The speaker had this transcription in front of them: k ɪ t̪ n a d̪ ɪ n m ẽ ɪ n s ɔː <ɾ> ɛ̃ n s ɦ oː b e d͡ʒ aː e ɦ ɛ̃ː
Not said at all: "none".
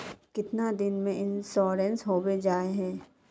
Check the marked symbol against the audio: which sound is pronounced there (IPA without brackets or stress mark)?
ɾ